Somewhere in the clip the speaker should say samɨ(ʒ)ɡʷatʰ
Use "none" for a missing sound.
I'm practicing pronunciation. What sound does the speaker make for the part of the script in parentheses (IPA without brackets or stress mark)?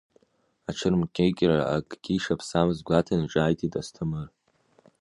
z